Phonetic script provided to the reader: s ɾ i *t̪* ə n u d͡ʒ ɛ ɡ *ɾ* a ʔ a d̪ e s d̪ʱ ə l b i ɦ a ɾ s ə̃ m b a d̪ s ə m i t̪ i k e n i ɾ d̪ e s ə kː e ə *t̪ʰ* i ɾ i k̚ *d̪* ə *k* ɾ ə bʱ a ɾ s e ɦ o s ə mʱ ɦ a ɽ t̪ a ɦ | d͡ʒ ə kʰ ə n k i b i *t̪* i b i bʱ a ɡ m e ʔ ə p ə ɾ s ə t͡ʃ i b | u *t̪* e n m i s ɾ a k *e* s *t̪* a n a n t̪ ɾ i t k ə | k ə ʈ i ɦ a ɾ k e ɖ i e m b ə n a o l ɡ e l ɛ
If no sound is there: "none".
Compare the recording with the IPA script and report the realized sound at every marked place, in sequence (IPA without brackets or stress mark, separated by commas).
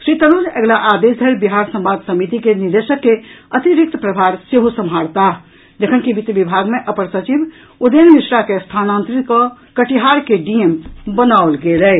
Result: t̪, l, t̪, t̪, p, t̪, d̪, e, t̪ʰ